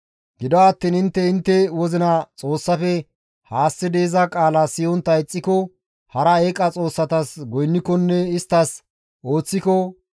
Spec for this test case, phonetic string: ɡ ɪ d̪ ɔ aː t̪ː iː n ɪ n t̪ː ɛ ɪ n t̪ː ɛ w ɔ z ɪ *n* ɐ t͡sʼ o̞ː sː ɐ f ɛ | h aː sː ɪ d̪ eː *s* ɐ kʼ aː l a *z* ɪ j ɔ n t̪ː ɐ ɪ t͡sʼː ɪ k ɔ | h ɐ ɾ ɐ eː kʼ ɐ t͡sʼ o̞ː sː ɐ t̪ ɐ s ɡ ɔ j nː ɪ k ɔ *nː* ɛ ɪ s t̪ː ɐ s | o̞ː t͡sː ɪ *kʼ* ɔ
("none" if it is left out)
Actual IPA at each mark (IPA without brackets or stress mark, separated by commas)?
n, z, s, nː, k